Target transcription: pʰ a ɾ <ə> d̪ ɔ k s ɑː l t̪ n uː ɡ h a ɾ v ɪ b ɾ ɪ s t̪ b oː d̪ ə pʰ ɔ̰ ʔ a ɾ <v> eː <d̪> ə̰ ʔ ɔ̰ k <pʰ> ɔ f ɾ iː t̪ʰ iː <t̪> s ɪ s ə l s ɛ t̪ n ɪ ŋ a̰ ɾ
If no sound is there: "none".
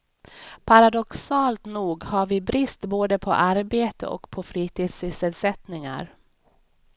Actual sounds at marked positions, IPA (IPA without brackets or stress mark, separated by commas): a, b, t̪, pʰ, d̪